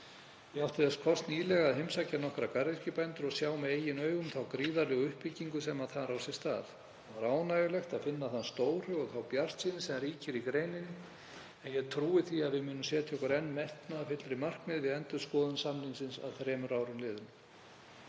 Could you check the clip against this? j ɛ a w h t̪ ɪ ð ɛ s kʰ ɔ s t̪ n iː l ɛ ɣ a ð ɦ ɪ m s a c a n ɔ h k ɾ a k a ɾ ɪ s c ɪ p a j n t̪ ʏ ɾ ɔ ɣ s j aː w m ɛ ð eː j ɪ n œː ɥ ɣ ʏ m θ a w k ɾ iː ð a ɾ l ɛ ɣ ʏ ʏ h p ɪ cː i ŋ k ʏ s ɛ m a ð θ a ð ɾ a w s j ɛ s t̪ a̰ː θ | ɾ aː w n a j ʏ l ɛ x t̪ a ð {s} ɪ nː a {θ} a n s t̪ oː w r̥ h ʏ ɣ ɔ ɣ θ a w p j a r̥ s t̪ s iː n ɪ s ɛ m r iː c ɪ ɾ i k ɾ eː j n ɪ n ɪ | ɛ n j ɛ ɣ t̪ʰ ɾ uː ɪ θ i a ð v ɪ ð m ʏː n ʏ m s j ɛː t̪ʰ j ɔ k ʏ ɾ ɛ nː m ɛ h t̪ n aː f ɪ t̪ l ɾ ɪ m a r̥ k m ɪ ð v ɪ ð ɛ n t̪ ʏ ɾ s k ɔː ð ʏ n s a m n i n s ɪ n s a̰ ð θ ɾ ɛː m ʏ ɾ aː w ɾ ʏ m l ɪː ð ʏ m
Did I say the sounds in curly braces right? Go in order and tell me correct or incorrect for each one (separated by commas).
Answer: incorrect, correct